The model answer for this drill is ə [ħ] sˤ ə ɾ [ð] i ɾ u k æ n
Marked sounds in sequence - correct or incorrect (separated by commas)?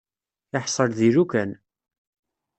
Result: correct, correct